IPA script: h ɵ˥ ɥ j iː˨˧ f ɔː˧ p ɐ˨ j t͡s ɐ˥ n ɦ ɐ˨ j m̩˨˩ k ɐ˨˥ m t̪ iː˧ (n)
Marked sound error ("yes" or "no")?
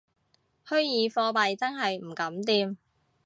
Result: yes